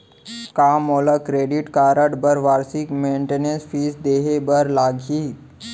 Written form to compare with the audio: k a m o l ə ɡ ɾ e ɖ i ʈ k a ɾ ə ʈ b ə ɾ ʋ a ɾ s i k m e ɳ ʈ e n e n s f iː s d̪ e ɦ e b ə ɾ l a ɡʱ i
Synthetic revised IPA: k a m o l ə k ɾ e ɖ i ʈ k a ɾ ə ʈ b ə ɾ ʋ a ɾ s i k m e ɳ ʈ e n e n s f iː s d̪ e ɦ e b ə ɾ l a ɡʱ i